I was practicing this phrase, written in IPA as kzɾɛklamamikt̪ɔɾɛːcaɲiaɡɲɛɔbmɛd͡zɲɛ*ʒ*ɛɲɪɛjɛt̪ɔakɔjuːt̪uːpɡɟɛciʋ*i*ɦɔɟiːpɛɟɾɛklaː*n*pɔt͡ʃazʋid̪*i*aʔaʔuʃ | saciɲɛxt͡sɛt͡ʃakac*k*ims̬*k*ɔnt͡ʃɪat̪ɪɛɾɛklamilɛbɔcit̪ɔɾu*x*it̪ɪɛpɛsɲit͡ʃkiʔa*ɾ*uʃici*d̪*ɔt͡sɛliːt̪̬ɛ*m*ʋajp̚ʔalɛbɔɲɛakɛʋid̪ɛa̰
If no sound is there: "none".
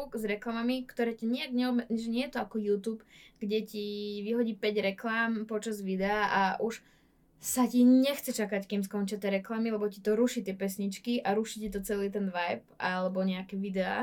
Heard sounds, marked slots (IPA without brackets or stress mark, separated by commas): ʒ, i, m, ɛ, k, k, ʃ, ɾ, t̪, n